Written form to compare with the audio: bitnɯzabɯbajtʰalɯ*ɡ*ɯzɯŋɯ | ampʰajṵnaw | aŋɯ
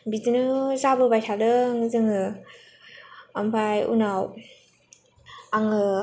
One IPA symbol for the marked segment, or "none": ŋ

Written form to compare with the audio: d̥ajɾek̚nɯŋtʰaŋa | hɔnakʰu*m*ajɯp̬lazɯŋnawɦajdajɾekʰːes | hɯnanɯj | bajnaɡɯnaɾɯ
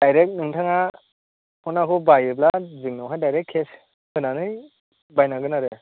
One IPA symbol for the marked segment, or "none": b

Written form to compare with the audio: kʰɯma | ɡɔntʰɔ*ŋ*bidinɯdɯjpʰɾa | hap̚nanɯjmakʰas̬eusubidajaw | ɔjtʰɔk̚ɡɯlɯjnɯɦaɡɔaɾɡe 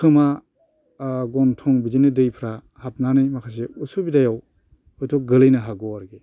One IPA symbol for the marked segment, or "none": ŋ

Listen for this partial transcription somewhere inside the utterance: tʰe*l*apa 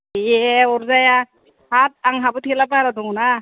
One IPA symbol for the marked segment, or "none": l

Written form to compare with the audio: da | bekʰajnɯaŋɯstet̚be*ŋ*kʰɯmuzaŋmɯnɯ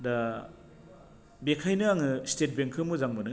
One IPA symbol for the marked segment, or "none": ŋ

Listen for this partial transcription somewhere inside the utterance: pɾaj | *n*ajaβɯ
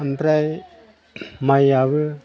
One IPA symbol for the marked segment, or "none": m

